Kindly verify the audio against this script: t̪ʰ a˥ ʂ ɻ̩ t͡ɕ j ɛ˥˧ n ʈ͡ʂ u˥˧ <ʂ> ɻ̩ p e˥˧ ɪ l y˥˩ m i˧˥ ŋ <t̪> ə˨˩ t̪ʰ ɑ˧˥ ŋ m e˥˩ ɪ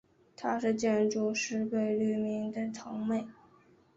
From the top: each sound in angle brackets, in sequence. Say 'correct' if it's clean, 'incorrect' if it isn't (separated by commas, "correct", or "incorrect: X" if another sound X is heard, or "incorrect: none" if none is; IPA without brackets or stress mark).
correct, incorrect: d̪